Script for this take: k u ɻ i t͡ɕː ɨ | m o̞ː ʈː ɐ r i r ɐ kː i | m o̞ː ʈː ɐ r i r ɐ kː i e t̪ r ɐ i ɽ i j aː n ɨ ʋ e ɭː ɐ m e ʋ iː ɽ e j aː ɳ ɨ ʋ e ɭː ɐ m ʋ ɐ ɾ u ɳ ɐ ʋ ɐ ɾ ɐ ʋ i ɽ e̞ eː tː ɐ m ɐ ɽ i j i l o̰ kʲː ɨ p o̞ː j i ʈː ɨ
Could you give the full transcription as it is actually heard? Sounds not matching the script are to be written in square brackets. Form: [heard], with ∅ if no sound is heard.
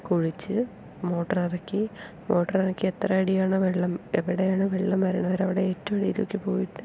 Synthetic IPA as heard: k u ɻ i t͡ɕː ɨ | m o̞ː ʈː ɐ r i r ɐ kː i | m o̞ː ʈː ɐ r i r ɐ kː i e t̪ r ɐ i ɽ i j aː [ɳ] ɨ ʋ e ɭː ɐ m e ʋ [i] ɽ e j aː ɳ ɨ ʋ e ɭː ɐ m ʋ ɐ ɾ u ɳ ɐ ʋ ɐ ɾ ɐ ʋ i ɽ e̞ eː tː ɐ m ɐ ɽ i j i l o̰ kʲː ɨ p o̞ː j i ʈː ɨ